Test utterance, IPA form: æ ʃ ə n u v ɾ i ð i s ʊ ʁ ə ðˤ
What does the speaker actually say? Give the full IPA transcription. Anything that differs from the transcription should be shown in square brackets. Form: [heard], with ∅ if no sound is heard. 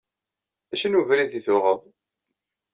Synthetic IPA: æ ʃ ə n u v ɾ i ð i [θ] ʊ ʁ ə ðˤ